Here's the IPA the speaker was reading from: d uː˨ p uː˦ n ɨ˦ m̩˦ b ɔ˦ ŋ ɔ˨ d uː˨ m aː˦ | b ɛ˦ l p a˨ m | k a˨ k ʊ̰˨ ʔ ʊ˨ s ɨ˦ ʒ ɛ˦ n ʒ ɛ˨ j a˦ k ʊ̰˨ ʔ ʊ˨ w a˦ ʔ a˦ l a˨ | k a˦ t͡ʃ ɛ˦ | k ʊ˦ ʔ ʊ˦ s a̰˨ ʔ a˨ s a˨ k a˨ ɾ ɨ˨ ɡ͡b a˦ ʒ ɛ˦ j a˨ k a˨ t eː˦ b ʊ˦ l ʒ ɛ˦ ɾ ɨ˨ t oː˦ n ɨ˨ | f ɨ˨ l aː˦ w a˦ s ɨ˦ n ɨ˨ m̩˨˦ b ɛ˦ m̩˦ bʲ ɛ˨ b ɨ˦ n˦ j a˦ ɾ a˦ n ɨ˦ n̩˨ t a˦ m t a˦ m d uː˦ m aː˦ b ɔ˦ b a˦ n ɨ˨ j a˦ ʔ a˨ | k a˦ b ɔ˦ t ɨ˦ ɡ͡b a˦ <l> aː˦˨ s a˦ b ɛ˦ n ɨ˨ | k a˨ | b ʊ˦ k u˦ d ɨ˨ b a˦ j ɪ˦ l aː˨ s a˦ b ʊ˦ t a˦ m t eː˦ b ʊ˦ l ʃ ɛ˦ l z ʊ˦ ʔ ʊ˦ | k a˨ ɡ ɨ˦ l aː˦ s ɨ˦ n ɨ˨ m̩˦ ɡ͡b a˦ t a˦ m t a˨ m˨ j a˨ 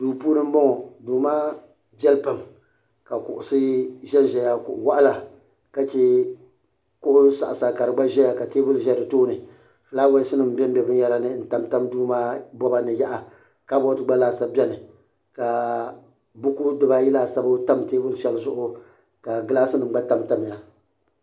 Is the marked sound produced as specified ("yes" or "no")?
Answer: yes